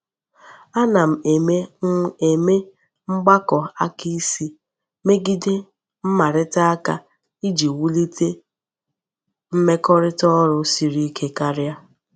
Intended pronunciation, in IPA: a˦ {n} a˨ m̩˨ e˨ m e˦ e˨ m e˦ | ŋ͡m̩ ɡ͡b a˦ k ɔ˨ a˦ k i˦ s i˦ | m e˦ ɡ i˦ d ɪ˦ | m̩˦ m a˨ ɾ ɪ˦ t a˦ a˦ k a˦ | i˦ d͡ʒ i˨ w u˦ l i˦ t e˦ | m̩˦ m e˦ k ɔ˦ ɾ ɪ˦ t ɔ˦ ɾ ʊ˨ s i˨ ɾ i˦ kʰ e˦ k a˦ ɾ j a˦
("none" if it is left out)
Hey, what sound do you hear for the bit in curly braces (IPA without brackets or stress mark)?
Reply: n